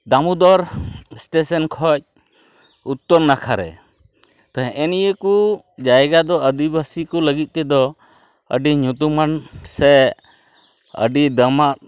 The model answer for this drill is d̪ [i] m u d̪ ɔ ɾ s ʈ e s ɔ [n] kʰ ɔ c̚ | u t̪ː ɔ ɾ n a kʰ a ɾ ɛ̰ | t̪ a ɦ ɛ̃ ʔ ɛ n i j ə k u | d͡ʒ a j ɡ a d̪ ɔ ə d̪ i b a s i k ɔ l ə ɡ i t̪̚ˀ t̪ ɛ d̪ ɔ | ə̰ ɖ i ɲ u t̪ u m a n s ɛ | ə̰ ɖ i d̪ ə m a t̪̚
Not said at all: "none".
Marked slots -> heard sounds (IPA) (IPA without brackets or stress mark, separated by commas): a, n